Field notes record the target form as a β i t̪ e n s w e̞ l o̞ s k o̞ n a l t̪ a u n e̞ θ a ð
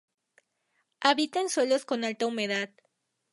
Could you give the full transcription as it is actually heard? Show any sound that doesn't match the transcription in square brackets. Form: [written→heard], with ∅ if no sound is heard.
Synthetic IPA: a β i t̪ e n s w e̞ l o̞ s k o̞ n a l t̪ a u [n→m] e̞ [θ→ð] a ð